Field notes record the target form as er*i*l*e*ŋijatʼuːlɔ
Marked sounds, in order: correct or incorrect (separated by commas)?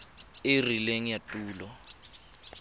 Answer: correct, correct